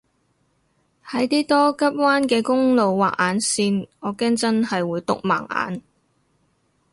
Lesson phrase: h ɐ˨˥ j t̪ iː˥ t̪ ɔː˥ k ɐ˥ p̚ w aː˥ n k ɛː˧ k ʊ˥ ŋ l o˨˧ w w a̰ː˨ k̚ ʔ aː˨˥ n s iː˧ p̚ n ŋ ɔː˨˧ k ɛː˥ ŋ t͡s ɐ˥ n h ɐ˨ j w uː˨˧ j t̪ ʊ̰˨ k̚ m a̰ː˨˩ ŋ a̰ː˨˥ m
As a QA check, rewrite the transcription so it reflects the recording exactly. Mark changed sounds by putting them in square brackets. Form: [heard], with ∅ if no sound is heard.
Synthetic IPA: h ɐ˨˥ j t̪ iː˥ t̪ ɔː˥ k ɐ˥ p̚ w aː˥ n k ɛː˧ k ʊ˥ ŋ l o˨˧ w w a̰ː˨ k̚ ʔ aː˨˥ n s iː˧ [∅] n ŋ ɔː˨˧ k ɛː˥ ŋ t͡s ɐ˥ n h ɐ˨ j w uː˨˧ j t̪ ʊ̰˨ k̚ m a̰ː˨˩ ŋ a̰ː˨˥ [n]

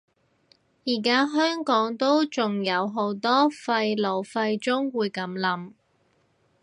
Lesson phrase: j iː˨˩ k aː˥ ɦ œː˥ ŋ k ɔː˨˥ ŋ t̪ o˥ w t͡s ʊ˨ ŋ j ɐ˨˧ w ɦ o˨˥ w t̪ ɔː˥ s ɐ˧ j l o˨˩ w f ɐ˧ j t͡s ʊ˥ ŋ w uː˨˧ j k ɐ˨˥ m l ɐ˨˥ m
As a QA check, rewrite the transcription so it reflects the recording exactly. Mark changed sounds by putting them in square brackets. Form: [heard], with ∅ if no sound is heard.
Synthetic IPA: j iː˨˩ k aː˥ ɦ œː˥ ŋ k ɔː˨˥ ŋ t̪ o˥ w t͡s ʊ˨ ŋ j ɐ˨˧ w ɦ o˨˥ w t̪ ɔː˥ [f] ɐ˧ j l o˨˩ w f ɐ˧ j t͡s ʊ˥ ŋ w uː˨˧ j k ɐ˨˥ m l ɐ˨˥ m

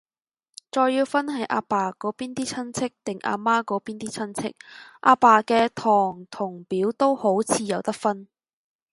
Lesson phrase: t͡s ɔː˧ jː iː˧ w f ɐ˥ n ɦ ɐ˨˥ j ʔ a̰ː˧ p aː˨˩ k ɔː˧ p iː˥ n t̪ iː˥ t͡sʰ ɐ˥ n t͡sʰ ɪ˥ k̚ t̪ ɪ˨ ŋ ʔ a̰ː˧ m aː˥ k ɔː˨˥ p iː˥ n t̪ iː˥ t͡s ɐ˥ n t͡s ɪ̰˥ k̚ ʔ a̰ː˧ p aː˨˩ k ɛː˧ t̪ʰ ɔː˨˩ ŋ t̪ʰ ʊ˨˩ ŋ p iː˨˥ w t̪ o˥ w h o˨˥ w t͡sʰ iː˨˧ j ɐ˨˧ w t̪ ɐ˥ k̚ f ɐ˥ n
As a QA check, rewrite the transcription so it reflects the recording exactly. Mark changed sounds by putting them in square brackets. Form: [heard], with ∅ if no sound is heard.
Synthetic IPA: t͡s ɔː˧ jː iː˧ w f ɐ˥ n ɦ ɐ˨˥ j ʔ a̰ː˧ p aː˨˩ k [ɔː˨˥] p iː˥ n t̪ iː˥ t͡sʰ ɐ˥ n t͡sʰ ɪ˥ k̚ t̪ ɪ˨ ŋ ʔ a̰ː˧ m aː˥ k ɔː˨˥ p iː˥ n t̪ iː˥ [t͡sʰ] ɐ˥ n [t͡sʰ] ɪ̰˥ k̚ ʔ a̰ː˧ p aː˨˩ k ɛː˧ t̪ʰ ɔː˨˩ ŋ t̪ʰ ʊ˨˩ ŋ p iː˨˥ w t̪ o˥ w h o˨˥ w t͡sʰ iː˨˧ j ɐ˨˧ w t̪ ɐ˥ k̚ f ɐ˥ n

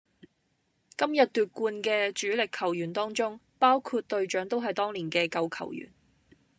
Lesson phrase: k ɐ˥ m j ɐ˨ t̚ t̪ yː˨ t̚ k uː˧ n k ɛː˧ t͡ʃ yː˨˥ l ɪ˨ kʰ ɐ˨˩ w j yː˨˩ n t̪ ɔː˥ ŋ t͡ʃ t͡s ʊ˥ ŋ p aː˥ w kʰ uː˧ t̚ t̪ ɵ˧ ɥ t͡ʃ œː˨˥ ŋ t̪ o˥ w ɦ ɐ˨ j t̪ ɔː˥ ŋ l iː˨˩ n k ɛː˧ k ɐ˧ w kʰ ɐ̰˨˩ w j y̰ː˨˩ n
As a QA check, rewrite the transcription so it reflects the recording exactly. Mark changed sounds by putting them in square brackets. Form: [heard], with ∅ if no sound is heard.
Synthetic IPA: k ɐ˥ m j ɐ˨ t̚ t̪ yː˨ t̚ k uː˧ n k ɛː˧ t͡ʃ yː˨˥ l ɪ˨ kʰ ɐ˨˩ w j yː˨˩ n t̪ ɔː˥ ŋ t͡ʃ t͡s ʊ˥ ŋ p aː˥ w kʰ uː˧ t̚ t̪ ɵ˧ ɥ t͡ʃ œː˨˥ ŋ t̪ o˥ w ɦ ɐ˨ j t̪ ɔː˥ ŋ l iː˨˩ n k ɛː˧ k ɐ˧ w kʰ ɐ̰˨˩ w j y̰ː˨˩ n

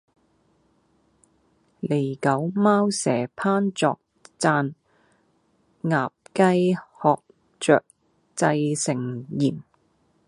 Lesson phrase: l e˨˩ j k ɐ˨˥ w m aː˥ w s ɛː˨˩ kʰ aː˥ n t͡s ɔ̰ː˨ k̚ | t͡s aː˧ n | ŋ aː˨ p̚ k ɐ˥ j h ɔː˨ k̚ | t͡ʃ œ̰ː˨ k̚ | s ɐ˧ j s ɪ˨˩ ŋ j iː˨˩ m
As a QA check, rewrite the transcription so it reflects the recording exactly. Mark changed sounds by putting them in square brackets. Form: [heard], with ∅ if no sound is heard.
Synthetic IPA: l e˨˩ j k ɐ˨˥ w m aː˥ w s ɛː˨˩ [pʰ] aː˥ n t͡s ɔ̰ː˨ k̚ | t͡s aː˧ n | ŋ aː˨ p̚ k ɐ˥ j h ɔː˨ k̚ | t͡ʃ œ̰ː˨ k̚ | [t͡s] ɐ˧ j s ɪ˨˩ ŋ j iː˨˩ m

